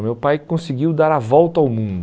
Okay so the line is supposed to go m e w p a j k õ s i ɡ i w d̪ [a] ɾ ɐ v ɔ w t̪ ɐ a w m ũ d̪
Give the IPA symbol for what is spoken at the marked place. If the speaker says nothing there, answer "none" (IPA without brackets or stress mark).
a